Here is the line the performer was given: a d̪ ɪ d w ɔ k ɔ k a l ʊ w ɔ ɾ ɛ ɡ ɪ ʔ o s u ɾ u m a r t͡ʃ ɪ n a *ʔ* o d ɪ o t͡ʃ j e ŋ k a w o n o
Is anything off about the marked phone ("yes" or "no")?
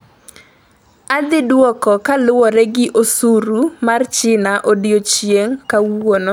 no